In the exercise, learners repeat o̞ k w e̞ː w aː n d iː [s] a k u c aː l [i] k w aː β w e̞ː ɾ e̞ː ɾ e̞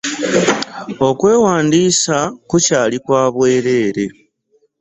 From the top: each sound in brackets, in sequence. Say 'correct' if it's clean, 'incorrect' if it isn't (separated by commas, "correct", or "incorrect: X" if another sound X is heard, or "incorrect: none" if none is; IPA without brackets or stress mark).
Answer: correct, correct